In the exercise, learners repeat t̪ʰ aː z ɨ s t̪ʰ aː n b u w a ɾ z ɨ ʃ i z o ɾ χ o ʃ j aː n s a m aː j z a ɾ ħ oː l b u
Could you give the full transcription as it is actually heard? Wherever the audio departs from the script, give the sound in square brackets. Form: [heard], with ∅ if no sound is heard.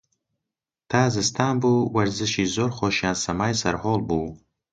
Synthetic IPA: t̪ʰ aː z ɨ s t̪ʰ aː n b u w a ɾ z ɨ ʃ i z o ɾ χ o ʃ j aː n s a m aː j [s] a ɾ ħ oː l b u

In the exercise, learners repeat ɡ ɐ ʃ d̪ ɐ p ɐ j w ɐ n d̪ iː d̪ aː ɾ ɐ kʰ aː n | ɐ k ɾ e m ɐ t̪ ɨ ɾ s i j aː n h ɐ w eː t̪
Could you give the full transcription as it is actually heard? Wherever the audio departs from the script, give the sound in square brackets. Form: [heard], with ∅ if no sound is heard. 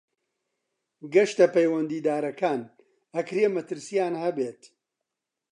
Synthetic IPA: ɡ ɐ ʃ [t̪] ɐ p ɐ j w ɐ n d̪ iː d̪ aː ɾ ɐ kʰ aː n | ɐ k ɾ e m ɐ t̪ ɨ ɾ s i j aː n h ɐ [b] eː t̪

